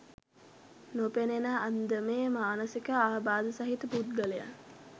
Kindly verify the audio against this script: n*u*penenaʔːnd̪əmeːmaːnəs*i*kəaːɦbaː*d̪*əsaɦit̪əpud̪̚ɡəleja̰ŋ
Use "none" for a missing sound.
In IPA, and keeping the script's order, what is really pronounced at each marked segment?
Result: o, i, d̪

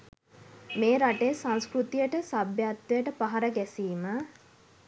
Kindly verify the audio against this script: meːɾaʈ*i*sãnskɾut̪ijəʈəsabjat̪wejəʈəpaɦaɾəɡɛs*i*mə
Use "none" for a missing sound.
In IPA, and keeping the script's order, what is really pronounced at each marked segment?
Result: e, iː

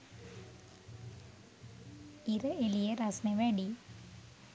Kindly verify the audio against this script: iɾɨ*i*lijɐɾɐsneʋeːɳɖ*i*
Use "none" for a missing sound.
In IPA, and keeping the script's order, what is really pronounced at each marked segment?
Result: e, i

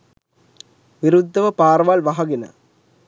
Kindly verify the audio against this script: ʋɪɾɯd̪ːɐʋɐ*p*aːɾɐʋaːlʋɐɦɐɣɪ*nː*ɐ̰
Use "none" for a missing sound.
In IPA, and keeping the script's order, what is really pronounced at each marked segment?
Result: p, n

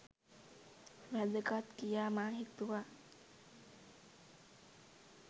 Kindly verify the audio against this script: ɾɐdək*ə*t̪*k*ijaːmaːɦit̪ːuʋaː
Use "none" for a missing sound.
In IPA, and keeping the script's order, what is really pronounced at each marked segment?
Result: a, k

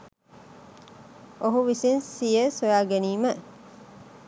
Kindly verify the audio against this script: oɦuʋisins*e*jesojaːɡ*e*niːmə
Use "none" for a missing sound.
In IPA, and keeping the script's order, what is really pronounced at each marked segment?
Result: i, e

